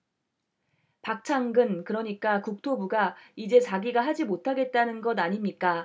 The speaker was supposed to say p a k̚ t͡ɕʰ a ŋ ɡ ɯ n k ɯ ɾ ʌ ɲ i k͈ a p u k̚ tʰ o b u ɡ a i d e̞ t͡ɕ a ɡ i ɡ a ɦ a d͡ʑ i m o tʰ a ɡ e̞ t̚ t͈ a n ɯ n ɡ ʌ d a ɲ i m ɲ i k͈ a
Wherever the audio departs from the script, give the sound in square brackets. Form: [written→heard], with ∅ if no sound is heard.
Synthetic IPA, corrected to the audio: p a k̚ t͡ɕʰ a ŋ ɡ ɯ n k ɯ ɾ ʌ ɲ i k͈ a [p→k] u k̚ tʰ o b u ɡ a i [d→d͡ʑ] e̞ t͡ɕ a ɡ i ɡ a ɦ a d͡ʑ i m o tʰ a ɡ e̞ t̚ t͈ a n ɯ n ɡ ʌ d a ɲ i m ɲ i k͈ a